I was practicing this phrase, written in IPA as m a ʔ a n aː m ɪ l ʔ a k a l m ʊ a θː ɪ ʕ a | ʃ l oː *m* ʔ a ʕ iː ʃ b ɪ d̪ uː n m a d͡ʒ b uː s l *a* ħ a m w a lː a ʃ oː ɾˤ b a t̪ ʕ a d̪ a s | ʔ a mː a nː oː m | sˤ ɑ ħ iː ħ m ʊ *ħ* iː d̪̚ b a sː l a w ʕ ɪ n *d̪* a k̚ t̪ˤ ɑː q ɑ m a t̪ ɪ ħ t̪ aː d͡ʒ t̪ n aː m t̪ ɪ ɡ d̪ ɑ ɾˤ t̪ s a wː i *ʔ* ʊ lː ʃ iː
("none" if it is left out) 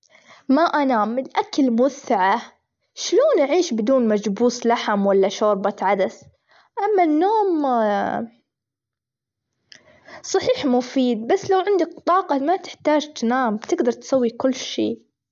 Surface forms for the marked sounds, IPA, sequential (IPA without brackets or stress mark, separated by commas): n, a, f, d̪, k